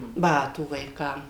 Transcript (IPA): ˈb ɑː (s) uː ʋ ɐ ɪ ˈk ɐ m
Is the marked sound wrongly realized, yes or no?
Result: yes